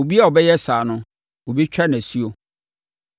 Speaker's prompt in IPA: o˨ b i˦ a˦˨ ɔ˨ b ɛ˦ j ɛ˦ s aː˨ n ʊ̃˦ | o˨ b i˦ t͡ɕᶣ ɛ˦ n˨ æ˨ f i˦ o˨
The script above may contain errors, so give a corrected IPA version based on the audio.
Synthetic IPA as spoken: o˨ b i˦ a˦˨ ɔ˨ b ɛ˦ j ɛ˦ s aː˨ n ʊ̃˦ | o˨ b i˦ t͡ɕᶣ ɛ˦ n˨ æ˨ s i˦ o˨